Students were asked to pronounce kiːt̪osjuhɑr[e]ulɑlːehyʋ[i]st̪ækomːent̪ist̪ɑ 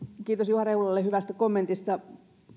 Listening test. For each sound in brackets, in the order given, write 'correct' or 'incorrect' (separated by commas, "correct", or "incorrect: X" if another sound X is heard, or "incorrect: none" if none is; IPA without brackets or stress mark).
correct, incorrect: æ